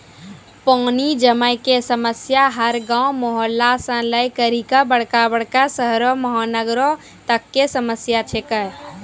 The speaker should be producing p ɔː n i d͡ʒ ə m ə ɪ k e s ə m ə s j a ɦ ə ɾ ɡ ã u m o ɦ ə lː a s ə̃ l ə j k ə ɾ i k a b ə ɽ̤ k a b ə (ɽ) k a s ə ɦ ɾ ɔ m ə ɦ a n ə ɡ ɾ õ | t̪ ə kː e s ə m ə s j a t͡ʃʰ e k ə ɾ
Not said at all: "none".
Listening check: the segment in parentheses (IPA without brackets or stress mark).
ɽ